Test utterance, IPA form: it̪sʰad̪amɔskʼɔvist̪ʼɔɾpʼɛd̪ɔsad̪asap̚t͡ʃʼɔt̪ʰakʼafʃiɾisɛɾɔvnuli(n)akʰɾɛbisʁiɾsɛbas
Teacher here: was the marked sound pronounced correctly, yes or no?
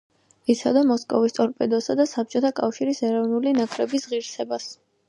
yes